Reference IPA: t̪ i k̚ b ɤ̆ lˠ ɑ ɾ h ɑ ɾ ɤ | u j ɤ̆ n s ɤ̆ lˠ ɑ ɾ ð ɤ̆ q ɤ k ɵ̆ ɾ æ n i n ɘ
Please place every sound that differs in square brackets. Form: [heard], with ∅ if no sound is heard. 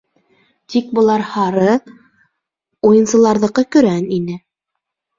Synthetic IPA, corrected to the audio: t̪ i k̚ b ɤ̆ lˠ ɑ ɾ h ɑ ɾ ɤ | u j ɤ̆ n s ɤ̆ lˠ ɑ ɾ ð ɤ̆ q ɤ k ɵ̆ ɾ æ n i n ɘ